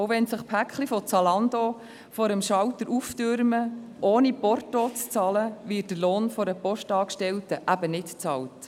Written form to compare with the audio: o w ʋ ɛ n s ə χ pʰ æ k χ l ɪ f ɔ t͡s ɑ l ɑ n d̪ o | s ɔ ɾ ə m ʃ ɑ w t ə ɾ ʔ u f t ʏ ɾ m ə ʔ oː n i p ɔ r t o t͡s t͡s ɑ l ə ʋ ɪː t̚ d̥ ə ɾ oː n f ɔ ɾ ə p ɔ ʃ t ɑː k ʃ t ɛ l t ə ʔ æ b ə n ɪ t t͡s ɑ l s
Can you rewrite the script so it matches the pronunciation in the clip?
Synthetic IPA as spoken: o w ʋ ɛ n s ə χ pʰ æ k χ l i f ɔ t͡s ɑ l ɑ n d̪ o | f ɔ ɾ ə m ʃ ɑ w t ə ɾ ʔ u f t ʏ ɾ m ə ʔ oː n i p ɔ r t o t͡s t͡s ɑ l ə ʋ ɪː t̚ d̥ ə l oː n f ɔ ɾ ə p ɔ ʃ t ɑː k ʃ t ɛ l t ə ʔ æ b ə n ɪ t t͡s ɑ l t